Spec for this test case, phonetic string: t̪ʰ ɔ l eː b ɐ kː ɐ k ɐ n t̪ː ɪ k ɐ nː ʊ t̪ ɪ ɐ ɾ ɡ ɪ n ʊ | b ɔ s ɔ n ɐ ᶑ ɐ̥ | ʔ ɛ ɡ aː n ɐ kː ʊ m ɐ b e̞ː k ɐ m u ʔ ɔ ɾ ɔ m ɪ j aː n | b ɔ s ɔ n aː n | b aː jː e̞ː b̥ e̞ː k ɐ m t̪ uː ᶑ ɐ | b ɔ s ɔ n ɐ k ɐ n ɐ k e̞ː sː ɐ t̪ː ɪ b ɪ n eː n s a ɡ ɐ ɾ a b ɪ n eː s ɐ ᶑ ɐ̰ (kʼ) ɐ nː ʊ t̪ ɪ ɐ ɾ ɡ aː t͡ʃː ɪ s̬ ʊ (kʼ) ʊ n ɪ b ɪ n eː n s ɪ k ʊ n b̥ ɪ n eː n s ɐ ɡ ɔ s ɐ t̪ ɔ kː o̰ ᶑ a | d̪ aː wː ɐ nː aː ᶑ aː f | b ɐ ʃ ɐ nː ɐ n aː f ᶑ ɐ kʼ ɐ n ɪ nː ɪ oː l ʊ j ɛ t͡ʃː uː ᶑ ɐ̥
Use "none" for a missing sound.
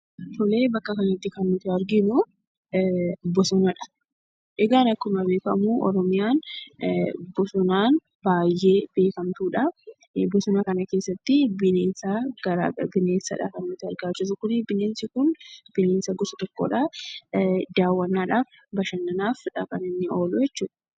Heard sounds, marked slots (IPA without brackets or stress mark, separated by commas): k, k